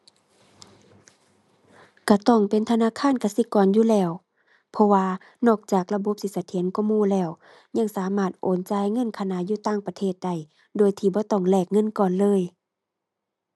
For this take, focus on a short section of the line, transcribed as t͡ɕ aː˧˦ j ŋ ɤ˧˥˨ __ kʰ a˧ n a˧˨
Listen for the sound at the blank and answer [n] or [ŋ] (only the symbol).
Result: n